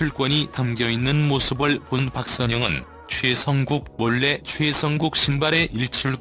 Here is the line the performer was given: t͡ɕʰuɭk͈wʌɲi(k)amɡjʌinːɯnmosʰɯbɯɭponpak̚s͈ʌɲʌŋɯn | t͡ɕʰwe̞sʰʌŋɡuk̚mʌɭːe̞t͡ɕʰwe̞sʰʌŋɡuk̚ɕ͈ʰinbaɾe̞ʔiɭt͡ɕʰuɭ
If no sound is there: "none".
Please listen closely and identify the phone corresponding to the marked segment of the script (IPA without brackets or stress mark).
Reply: t